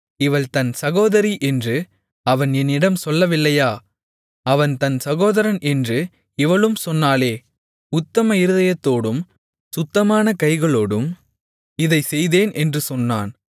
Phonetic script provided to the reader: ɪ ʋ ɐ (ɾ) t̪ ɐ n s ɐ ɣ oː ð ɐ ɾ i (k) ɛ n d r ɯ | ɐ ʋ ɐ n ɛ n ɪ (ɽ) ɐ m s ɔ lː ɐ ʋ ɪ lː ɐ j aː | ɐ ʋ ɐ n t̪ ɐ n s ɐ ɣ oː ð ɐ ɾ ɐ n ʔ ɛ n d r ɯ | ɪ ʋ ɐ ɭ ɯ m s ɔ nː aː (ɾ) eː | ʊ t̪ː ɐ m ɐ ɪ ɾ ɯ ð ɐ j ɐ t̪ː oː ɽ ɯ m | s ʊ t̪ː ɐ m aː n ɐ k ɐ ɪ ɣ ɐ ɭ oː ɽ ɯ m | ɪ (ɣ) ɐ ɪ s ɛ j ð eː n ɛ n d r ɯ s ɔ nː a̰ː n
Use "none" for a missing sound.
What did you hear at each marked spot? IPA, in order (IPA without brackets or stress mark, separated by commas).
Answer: ɭ, ʔ, ɽ, l, ð